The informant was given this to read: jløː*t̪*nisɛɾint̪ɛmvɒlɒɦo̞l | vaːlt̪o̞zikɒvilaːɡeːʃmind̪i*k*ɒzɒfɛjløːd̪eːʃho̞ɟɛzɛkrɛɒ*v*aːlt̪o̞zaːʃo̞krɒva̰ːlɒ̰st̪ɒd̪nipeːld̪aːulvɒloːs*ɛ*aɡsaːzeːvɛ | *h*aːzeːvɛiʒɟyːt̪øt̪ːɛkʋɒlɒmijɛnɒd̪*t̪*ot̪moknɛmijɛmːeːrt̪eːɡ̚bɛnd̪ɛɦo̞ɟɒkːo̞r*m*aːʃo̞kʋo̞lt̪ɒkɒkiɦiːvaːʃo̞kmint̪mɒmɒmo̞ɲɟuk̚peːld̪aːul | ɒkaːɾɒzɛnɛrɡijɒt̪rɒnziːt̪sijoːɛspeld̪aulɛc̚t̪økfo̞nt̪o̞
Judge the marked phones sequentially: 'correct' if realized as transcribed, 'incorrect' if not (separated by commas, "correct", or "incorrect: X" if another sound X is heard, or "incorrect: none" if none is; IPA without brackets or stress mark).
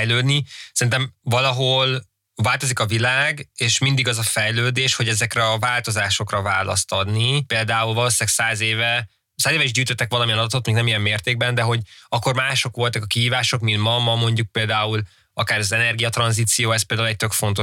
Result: incorrect: d̪, incorrect: ɡ, correct, incorrect: i, incorrect: s, correct, correct